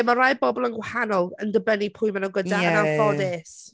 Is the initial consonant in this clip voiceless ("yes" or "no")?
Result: no